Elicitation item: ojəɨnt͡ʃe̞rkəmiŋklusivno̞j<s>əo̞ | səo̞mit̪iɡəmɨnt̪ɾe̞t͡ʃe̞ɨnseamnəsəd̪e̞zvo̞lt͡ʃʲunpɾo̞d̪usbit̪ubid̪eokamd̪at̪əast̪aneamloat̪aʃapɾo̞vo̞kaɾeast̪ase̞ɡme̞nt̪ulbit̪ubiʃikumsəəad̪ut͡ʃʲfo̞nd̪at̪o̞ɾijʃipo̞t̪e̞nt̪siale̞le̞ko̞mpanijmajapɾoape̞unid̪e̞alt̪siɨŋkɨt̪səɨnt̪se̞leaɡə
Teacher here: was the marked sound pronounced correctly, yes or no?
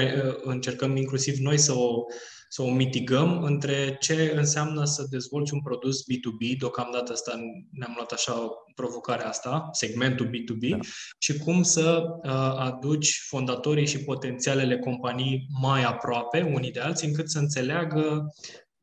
yes